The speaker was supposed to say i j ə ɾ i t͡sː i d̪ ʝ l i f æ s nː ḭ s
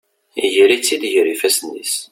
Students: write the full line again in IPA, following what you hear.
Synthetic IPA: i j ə ɾ i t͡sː i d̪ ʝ ɾ i f æ s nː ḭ s

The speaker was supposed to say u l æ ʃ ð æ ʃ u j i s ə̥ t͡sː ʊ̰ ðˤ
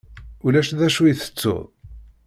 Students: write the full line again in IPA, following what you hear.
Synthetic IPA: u l æ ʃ ð æ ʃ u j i θ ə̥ t͡sː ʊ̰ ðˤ

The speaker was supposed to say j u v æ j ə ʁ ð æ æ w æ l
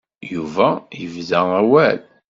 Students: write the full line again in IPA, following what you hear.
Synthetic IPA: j u v æ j ə v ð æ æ w æ l

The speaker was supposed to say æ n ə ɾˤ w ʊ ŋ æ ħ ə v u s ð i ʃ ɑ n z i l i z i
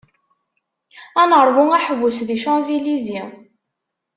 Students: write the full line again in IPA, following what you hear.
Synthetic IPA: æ n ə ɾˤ w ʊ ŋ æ ħ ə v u s ð i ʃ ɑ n z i l i z i

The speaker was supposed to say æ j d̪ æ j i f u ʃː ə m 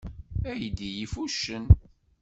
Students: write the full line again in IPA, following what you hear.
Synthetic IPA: æ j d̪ i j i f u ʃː ə n

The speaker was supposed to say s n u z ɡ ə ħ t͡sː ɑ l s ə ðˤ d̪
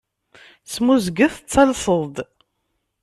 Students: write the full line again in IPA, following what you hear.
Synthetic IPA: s m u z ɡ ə θ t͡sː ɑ l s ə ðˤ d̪

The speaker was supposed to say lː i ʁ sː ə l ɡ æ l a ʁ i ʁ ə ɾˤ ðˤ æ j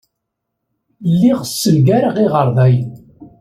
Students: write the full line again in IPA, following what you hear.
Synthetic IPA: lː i ʁ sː ə l ɡ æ ɾ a ʁ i ʁ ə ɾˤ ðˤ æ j

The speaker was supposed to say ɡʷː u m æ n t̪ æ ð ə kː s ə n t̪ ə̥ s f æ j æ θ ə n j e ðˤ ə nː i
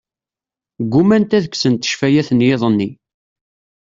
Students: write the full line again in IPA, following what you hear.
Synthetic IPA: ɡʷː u m æ n t̪ æ ð ə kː s ə n t̪ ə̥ ʃ f æ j æ θ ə n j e ðˤ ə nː i

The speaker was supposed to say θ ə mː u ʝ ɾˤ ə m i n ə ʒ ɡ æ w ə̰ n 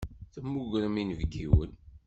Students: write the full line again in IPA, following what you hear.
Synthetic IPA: θ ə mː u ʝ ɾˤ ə m i n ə v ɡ i w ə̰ n

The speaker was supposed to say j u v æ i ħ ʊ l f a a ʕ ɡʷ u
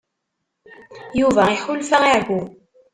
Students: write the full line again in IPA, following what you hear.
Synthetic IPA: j u v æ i ħ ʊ l f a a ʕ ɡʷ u

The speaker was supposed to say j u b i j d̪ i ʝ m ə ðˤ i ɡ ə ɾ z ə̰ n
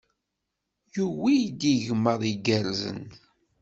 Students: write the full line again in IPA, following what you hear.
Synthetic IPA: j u w i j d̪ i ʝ m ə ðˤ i ɡ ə ɾ z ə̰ n

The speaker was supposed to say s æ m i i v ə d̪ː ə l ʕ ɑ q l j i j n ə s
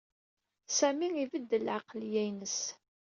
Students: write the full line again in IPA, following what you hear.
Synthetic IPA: s æ m i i v ə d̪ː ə l ʕ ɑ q l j æ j n ə s

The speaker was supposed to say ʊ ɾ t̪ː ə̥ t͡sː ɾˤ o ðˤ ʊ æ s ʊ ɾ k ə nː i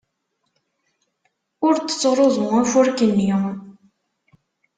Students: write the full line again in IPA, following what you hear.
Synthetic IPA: ʊ ɾ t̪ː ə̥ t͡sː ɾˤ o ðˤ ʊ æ f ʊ ɾ k ə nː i

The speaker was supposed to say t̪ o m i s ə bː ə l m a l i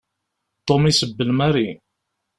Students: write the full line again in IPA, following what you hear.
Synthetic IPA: t̪ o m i s ə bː ə l m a ɾ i

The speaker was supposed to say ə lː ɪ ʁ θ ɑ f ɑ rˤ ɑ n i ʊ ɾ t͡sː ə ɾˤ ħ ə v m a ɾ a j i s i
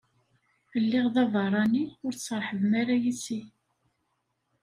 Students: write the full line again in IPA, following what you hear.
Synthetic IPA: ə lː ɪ ʁ ð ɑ v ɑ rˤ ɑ n i ʊ ɾ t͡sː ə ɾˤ ħ ə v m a ɾ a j i s i

